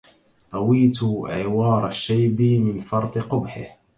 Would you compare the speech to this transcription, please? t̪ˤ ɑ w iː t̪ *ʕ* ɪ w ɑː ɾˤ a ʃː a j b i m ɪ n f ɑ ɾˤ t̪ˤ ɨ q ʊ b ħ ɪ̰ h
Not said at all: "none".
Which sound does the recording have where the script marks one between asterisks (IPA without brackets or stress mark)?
ʕ